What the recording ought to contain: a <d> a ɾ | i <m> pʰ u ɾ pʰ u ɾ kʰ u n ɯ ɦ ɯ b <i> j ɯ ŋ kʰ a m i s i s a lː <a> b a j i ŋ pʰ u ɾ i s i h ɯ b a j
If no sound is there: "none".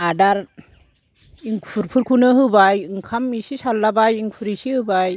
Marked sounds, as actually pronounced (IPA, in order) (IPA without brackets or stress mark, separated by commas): d, ŋ, a, a